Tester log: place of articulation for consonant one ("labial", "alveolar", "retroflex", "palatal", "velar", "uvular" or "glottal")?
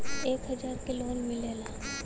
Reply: velar